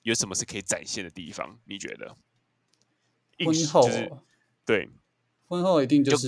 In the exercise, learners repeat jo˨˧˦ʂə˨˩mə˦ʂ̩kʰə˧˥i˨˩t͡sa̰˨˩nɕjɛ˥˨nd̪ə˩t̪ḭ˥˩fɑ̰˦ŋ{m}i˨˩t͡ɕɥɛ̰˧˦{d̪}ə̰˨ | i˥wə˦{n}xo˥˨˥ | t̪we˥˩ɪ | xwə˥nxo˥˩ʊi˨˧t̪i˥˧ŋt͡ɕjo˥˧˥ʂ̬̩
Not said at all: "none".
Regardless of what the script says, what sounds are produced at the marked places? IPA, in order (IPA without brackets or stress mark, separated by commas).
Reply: n, d̪, n